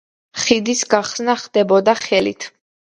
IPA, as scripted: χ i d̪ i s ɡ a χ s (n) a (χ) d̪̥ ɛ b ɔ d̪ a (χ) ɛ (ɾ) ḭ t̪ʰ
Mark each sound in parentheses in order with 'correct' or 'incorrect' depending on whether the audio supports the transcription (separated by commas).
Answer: correct, correct, correct, incorrect